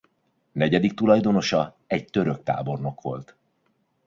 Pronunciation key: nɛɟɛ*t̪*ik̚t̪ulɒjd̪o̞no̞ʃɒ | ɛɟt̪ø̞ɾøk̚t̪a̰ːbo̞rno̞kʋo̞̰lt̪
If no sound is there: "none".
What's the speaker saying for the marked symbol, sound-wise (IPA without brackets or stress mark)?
d̪